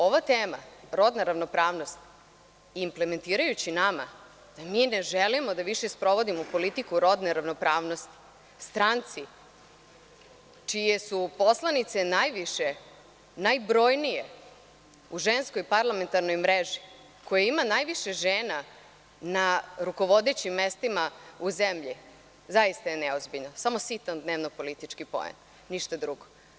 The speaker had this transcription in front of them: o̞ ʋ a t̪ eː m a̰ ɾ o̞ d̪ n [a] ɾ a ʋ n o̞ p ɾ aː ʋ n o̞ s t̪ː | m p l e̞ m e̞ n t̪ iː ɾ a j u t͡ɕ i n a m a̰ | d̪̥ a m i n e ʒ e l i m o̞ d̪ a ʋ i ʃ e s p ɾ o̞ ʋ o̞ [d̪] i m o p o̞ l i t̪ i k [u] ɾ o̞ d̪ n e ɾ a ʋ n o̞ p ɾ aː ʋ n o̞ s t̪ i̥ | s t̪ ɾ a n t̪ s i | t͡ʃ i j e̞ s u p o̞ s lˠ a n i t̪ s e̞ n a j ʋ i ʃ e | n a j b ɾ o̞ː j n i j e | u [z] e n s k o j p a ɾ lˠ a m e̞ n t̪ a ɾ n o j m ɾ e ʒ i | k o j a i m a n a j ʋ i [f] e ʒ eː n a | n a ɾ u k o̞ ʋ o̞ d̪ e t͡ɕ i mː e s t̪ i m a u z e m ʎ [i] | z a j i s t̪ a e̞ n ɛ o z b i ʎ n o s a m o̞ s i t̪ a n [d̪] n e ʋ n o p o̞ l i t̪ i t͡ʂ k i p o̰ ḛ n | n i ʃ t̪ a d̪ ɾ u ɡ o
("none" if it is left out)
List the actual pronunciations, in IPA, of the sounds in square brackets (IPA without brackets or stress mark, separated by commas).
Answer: a, d̪, u, ʒ, ʃ, i, d̪